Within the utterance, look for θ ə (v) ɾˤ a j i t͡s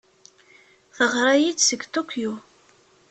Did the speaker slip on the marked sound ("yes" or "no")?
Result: yes